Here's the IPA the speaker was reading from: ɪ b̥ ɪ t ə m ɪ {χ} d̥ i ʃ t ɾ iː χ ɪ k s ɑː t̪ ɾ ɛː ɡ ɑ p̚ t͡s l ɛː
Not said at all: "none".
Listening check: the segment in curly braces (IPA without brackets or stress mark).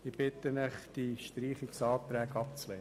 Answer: χ